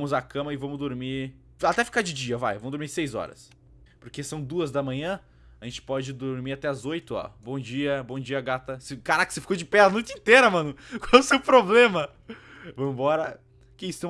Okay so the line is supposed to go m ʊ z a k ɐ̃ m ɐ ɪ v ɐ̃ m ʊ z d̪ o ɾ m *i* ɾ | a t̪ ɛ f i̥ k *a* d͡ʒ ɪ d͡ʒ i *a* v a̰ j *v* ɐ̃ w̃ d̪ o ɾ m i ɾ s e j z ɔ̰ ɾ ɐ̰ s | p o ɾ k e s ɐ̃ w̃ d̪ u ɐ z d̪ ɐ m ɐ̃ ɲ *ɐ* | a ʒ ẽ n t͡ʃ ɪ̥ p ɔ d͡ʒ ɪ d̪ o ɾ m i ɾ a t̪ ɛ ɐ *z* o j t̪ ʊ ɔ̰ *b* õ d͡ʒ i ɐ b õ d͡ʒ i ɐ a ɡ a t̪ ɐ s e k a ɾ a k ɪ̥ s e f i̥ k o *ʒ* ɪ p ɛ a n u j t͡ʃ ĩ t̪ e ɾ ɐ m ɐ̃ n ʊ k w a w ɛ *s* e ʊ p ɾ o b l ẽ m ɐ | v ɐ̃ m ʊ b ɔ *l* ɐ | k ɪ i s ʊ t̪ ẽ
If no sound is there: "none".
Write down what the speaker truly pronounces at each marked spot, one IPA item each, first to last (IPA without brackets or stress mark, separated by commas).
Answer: i, a, ɐ, v, ɐ̃, z, b, d͡ʒ, s, ɾ